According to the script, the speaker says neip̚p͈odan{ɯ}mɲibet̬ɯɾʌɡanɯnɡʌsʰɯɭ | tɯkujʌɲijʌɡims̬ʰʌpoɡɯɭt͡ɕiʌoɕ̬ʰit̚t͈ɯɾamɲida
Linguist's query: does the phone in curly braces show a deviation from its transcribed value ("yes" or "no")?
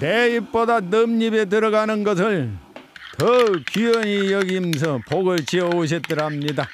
no